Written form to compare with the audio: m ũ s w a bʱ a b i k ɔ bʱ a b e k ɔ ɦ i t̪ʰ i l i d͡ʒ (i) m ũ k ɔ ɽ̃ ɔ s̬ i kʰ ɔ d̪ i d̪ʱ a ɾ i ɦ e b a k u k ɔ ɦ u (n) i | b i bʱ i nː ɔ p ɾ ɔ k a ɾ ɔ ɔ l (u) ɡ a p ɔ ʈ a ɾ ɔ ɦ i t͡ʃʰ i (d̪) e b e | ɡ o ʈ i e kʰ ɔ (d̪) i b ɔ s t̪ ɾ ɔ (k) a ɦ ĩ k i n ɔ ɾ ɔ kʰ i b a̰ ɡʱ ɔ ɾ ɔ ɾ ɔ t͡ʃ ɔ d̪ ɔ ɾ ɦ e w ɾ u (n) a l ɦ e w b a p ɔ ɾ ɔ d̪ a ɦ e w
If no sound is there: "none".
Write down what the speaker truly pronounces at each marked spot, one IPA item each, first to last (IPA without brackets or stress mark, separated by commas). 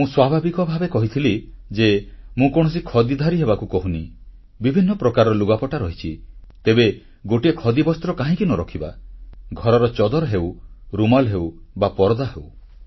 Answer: e, n, u, t̪, d̪, k, m